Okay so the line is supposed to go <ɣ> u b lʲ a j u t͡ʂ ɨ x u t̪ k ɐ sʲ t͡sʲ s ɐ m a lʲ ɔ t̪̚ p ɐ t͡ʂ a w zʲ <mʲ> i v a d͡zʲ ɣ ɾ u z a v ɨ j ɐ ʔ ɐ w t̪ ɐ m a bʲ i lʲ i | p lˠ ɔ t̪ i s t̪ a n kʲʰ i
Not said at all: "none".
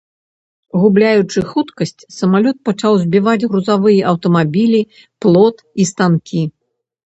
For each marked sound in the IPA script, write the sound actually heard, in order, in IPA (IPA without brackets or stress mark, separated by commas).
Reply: ɣ, bʲ